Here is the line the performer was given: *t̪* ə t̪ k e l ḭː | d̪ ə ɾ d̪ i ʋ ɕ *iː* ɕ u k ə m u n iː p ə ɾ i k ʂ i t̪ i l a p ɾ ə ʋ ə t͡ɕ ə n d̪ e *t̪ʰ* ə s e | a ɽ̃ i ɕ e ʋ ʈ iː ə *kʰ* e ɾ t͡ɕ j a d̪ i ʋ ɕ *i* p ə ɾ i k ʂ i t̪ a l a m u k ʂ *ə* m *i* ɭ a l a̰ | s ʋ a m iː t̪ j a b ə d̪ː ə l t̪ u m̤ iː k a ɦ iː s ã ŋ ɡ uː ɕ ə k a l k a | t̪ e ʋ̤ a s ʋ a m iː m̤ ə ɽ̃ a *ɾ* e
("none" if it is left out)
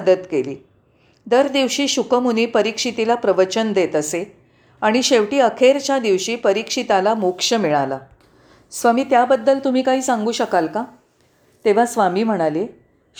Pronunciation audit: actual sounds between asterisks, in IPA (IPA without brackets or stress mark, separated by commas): d̪, iː, t̪, kʰ, iː, ə, i, l